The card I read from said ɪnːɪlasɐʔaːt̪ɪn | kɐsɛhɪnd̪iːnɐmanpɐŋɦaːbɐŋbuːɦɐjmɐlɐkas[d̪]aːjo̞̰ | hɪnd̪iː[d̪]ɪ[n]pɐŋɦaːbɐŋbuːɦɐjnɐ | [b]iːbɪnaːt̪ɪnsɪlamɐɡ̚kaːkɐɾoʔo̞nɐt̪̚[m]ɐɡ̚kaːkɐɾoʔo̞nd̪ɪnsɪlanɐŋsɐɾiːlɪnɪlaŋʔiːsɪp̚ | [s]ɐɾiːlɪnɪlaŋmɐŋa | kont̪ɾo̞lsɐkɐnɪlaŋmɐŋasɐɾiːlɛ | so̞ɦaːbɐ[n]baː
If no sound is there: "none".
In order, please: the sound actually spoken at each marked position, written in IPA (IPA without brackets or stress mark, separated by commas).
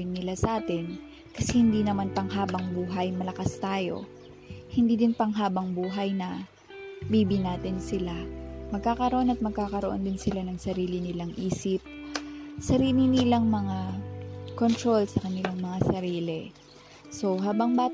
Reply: t̪, d̪, n, b, m, s, ŋ